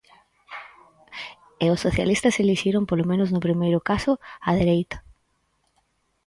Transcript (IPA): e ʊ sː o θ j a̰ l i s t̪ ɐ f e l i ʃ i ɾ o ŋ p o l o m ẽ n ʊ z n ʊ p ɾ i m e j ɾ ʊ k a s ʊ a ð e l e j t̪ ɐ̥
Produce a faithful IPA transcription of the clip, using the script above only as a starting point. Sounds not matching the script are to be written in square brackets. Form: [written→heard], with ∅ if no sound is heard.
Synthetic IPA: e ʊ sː o θ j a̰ l i s t̪ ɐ [f→s] e l i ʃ i ɾ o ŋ p o l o m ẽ n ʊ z n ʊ p ɾ i m e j ɾ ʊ k a s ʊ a ð e [l→ɾ] e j t̪ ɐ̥